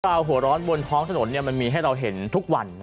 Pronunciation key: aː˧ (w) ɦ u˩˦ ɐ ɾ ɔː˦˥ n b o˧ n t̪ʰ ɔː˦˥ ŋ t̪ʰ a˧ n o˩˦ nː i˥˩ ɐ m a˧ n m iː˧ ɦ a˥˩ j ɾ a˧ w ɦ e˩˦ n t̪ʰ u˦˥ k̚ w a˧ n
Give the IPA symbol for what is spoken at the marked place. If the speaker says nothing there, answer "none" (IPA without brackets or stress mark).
w